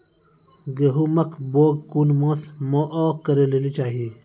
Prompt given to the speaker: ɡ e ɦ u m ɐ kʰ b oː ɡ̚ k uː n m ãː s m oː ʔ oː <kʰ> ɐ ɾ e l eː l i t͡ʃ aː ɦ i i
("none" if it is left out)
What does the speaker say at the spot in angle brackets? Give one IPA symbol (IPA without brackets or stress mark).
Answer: k